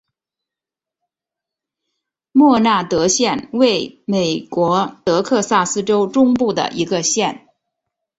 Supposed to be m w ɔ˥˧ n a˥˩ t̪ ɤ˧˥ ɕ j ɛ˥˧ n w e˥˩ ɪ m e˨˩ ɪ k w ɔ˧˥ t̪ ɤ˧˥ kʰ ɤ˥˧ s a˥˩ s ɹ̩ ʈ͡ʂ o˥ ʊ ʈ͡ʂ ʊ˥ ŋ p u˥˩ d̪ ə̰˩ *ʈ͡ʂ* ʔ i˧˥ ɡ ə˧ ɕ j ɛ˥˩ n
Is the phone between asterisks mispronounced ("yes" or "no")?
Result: yes